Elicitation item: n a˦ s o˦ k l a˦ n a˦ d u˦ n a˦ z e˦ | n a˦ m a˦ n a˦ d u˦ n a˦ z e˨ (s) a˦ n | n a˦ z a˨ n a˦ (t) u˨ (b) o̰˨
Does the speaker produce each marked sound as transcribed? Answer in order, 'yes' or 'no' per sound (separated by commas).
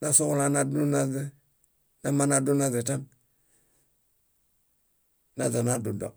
no, no, no